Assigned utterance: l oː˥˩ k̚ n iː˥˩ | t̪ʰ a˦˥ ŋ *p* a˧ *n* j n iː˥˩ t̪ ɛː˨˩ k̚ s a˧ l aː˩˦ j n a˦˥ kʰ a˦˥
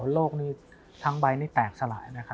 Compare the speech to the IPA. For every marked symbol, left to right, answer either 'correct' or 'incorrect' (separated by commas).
incorrect, incorrect